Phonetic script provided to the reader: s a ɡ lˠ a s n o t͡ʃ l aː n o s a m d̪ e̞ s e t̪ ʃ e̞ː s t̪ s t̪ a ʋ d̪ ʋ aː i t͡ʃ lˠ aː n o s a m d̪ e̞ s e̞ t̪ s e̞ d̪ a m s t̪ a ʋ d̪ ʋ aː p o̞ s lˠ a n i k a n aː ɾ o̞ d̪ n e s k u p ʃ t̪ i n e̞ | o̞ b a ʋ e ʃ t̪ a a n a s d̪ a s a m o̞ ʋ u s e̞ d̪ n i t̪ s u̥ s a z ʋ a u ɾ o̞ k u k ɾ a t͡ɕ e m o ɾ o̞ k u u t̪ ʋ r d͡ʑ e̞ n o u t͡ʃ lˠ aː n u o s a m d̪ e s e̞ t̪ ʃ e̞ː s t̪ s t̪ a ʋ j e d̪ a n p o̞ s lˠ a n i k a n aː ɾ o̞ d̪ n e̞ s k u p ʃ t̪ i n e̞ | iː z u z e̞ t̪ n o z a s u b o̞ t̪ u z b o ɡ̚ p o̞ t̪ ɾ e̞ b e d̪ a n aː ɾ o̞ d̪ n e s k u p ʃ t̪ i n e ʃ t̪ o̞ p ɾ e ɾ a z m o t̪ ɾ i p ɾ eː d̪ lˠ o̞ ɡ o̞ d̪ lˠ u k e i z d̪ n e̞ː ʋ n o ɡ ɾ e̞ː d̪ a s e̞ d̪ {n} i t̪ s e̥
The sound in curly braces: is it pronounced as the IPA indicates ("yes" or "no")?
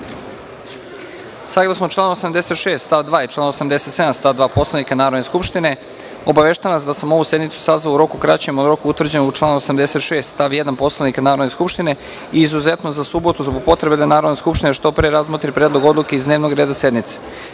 yes